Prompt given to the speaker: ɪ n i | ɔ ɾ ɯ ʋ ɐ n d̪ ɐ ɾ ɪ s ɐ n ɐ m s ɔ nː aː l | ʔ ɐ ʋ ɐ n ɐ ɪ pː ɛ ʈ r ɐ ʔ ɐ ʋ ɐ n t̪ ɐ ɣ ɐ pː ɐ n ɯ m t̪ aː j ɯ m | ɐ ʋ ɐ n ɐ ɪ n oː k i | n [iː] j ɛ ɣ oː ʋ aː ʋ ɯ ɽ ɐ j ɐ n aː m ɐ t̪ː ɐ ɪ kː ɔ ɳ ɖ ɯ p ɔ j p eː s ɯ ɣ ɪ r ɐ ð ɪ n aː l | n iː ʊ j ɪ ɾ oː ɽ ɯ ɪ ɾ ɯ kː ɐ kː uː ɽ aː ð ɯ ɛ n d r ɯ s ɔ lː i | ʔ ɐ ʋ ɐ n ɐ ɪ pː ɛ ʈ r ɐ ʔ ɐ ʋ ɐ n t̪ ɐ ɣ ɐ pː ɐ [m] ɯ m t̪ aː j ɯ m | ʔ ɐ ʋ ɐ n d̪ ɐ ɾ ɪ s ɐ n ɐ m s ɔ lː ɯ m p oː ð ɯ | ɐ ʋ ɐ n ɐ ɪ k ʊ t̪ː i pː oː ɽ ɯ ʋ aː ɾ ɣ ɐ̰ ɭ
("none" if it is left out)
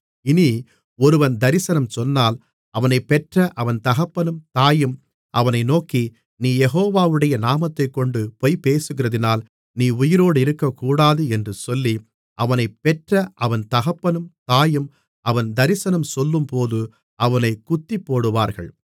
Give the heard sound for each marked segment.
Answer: iː, n

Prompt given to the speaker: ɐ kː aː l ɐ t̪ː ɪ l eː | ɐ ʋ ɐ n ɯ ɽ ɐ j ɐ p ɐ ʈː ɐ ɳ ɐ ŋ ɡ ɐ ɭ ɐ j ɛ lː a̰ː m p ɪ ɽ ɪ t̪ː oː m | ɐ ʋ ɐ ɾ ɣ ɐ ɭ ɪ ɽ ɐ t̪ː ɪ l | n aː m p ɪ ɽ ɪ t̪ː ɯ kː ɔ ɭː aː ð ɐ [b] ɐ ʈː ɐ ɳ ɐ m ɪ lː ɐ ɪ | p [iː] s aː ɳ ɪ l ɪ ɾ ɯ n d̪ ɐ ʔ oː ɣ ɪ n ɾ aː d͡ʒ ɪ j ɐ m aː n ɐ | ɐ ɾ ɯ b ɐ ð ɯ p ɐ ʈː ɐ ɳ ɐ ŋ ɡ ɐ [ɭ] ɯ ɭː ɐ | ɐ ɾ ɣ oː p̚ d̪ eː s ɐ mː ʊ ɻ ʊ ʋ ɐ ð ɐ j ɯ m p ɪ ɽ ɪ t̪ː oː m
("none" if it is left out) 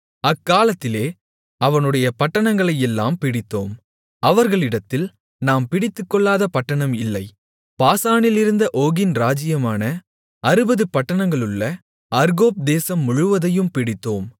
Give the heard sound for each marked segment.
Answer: p, aː, ɭ

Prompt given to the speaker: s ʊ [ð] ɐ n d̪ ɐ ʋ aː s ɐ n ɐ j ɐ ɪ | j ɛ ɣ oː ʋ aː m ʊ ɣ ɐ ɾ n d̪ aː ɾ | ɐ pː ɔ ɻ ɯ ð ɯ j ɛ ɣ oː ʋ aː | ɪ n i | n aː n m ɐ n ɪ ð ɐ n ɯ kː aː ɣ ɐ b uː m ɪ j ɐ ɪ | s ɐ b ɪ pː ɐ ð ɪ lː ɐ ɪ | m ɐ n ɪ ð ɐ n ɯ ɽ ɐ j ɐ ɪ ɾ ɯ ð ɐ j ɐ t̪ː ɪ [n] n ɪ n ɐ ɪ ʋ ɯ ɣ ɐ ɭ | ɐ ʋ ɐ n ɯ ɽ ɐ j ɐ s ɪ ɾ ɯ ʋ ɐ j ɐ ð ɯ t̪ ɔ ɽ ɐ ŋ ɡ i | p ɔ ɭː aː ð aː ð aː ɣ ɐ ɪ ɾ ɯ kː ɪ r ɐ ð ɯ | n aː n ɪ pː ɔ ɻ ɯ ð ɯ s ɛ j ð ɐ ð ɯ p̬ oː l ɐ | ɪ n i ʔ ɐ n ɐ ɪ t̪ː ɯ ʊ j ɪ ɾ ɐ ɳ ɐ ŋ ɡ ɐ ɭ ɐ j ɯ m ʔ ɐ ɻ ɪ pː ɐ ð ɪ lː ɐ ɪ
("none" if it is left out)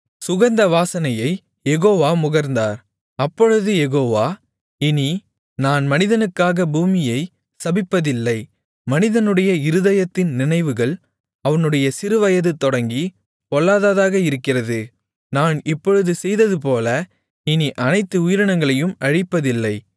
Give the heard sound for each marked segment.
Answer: ɣ, n

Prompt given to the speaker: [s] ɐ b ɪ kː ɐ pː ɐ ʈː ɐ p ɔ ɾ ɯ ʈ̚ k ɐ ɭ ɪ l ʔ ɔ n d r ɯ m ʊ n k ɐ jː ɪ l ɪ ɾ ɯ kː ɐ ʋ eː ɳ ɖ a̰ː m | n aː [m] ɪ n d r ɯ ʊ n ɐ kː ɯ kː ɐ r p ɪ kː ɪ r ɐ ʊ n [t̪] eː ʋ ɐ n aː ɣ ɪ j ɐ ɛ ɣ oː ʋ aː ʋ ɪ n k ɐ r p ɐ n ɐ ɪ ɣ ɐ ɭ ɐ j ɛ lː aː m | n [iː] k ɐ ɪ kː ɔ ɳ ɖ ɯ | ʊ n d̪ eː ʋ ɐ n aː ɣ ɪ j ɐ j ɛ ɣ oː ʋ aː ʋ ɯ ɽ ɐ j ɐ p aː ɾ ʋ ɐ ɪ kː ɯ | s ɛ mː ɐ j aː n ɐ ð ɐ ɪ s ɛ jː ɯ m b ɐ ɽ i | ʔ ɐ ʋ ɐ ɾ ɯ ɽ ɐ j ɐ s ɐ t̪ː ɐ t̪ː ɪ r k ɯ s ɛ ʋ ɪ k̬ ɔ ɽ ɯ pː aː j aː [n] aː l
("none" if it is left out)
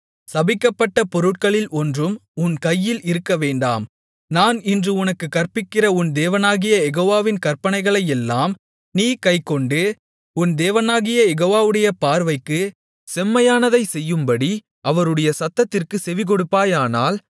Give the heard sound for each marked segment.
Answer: s, n, d̪, iː, n

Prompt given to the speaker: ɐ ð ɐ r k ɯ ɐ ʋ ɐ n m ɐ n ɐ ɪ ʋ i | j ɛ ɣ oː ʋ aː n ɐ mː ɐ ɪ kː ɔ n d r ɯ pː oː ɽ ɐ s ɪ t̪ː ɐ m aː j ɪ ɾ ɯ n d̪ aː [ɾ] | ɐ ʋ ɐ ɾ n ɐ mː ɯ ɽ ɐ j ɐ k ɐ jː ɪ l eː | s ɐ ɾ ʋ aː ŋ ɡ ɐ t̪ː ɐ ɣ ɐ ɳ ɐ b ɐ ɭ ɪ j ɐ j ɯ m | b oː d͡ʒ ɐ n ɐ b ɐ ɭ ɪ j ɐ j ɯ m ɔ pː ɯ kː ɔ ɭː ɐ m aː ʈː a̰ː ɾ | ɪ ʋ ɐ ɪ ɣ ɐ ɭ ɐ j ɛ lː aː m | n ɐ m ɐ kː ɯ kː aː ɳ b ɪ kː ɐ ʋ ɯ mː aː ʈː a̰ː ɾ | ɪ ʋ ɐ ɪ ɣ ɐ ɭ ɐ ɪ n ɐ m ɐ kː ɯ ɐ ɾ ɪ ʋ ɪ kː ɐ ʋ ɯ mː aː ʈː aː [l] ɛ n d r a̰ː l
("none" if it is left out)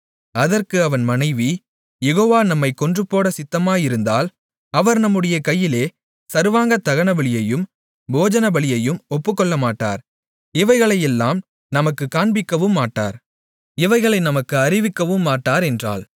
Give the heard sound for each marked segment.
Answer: l, ɾ

